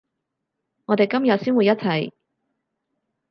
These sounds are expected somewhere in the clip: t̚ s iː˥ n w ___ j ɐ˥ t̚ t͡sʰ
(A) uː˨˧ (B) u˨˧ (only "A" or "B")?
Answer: B